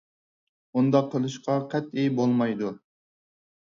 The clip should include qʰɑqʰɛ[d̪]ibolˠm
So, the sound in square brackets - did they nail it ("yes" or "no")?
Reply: no